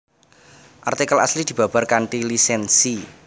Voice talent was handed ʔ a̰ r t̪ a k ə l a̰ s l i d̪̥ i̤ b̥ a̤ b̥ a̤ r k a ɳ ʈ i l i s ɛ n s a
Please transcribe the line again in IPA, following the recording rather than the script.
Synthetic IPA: ʔ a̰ r t̪ i k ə l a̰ s l i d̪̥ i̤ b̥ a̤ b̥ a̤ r k a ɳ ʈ i l i s ɛ n s i